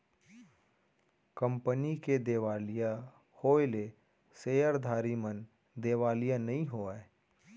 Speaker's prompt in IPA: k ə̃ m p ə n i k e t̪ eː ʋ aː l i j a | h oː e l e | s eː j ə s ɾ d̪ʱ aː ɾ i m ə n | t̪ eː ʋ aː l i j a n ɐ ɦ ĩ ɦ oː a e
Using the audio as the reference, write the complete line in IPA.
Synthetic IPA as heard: k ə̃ m p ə n i k e d̪ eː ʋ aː l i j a | h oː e l e | s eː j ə ɾ d̪ʱ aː ɾ i m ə n | d̪ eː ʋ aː l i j a n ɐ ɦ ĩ ɦ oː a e